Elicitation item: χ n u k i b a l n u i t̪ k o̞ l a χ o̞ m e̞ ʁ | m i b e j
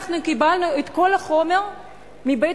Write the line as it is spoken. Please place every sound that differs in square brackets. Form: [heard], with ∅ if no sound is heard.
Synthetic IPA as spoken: χ n u k i b a l n u [e] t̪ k o̞ l a χ o̞ m e̞ ʁ | m i b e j